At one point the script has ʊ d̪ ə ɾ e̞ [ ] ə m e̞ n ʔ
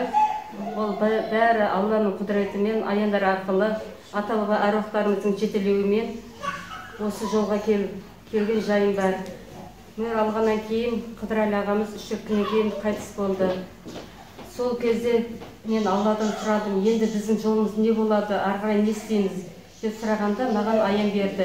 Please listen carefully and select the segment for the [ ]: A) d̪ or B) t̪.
B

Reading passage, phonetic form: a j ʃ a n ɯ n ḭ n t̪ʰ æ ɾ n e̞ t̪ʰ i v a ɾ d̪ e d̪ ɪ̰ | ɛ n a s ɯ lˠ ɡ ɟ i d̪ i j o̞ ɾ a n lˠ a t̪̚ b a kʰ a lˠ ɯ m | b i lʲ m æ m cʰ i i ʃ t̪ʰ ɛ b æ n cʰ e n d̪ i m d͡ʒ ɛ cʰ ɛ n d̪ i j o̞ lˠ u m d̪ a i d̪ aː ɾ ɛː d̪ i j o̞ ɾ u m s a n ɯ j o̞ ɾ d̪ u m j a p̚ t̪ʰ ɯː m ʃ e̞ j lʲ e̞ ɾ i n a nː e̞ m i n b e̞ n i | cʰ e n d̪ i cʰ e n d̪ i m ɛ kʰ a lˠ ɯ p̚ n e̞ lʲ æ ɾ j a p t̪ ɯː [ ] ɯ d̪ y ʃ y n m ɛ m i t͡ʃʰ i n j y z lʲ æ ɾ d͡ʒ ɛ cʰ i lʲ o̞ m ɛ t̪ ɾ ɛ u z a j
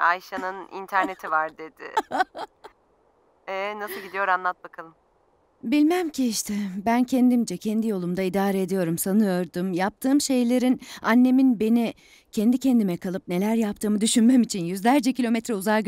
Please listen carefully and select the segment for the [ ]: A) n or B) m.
B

